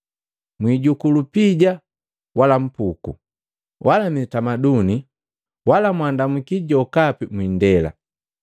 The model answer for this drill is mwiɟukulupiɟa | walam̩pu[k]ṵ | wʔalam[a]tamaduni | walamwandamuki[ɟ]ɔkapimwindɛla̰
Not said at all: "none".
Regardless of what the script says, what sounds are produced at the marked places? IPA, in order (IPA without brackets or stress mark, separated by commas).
k, i, ɟ